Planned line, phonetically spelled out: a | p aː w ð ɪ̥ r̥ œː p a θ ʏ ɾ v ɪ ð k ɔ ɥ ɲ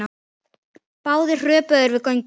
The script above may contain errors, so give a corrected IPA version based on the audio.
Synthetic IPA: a | p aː w ð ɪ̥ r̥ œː p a ð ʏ ɾ v ɪ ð k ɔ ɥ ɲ

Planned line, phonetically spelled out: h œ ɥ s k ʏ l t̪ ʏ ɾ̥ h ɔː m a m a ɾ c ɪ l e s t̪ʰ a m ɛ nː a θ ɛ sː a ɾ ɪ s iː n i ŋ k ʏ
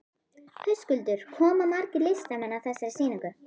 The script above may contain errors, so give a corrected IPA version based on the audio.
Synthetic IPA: h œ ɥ s k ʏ l t̪ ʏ ɾ̥ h ɔː m a m a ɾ c ɪ l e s t̪ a m ɛ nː a θ ɛ sː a ɾ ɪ s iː n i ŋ k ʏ

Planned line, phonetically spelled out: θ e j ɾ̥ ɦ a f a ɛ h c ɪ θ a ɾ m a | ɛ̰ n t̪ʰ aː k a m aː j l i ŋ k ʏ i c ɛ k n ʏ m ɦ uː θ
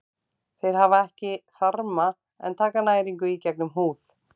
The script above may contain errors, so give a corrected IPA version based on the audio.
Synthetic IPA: θ e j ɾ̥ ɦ a v a ɛ h c ɪ θ a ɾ m a | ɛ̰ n t̪ʰ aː k a n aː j ɾ i ŋ k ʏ i c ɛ k n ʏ m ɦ uː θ

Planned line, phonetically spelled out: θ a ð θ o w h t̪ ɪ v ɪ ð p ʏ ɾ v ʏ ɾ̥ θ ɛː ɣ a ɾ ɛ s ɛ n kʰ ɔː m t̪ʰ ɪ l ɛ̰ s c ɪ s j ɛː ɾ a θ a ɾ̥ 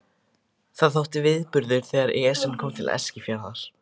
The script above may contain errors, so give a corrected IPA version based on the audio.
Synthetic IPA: θ a ð θ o w h t̪ ɪ v ɪ ð p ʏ ɾ ð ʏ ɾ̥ θ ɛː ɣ a ɾ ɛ s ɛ n kʰ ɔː m t̪ʰ ɪ l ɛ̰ s c ɪ f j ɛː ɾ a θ a ɾ̥

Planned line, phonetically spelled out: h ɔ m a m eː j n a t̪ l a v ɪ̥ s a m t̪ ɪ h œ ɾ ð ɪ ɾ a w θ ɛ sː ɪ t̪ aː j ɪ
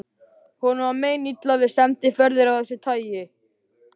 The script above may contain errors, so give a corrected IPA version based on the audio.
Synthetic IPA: h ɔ n a m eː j n i t̪ l a v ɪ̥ s ɛ m t̪ ɪ f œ ɾ ð ɪ ɾ a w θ ɛ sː ɪ t̪ʰ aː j ɪ

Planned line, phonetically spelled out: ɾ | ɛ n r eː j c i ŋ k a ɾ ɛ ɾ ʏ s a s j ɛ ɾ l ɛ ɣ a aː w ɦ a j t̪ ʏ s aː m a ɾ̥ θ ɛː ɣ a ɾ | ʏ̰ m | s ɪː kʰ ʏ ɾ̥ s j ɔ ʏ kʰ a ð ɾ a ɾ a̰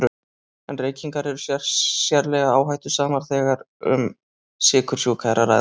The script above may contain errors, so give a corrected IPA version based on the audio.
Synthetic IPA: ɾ | ɛ n r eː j c i ŋ k a ɾ ɛ ɾ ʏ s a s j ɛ ɾ l ɛ ɣ a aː w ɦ a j t̪ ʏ s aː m a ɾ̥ θ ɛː ɣ a ɾ | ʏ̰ m | s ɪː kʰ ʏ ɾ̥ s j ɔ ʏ kʰ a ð ɾ a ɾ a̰

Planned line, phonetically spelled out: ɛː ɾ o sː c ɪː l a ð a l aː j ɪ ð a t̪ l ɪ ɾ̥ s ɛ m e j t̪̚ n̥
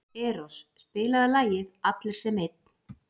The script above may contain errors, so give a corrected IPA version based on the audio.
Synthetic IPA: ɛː ɾ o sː p ɪː l a ð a l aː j ɪ ð a t̪ l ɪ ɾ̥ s ɛ m e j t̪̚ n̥

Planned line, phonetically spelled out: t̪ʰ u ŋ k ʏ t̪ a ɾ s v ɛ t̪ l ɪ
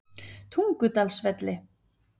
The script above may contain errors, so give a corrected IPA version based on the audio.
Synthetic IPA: t̪ʰ u ŋ k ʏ t̪ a l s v ɛ t̪ l ɪ

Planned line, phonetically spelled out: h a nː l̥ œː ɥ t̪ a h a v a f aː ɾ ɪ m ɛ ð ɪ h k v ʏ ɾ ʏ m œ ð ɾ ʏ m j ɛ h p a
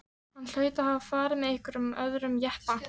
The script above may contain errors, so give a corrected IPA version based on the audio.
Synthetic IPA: h a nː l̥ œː ɥ t̪ a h a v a f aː ɾ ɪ m ɛ ð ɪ h k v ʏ ɾ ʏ m œ ð ɾ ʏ m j ɛ h p a

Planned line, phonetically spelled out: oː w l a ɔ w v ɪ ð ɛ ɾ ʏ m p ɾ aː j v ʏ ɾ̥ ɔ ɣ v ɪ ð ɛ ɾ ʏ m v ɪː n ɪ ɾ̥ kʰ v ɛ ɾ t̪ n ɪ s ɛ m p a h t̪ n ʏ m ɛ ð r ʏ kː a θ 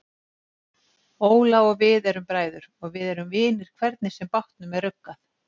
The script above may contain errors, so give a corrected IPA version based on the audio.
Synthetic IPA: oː w l a ɔ ɣ v ɪ ð ɛ ɾ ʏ m p ɾ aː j ð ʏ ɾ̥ ɔ ɣ v ɪ ð ɛ ɾ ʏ m v ɪː n ɪ ɾ̥ kʰ v ɛ ɾ t̪ n ɪ s ɛ m p a h t̪ n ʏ m ɛ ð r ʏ kː a θ

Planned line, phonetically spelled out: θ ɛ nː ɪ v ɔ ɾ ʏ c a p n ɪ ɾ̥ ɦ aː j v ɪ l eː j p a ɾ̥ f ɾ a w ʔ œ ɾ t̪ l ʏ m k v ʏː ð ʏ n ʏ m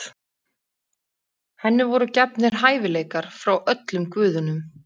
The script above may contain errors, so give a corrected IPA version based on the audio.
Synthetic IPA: h ɛ nː ɪ v ɔ ɾ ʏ c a p n ɪ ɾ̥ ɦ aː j v ɪ l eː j k a ɾ̥ f ɾ a w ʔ œ t̪ l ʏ m k v ʏː ð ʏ n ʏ m

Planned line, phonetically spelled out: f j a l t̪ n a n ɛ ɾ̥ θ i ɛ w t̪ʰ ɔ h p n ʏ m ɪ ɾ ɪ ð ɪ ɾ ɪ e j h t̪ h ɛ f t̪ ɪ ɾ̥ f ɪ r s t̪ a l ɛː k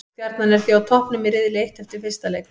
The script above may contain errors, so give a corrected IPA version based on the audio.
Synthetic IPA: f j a ɾ t̪ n a n ɛ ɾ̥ θ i a w t̪ʰ ɔ h p n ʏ m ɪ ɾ ɪ ð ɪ l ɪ e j h t̪ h ɛ f t̪ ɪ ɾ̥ f ɪ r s t̪ a l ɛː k

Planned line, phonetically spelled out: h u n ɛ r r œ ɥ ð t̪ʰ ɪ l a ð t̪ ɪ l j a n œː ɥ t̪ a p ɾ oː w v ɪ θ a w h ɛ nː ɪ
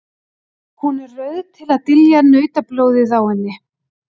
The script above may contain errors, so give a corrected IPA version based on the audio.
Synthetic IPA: h u n ɛ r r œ ɥ ð t̪ʰ ɪ l a ð t̪ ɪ l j a n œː ɥ t̪ a p l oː w ð ɪ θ a w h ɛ nː ɪ

